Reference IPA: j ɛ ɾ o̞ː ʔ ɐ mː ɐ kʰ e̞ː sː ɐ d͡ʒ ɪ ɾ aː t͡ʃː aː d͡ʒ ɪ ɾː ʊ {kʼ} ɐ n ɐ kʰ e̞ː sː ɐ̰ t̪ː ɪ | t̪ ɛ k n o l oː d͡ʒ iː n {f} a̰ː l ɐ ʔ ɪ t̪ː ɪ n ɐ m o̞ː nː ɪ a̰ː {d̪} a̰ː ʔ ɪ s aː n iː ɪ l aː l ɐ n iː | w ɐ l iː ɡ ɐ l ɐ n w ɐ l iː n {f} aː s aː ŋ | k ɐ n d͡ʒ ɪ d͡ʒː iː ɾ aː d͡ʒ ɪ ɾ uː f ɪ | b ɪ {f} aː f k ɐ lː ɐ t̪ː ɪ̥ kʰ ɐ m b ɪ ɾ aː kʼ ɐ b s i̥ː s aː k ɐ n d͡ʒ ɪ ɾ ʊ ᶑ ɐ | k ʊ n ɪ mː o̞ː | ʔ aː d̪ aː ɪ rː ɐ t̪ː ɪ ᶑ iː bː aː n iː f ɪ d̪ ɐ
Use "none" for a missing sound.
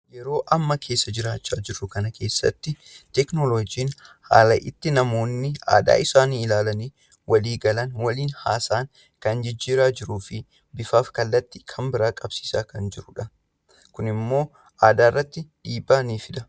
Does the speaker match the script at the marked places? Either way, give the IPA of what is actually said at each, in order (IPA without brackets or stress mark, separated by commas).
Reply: k, h, d̪, h, f